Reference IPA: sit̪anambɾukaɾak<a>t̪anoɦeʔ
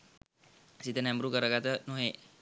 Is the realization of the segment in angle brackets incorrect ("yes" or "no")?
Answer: no